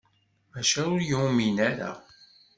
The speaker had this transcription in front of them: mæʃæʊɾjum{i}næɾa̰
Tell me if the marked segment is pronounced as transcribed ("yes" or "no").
yes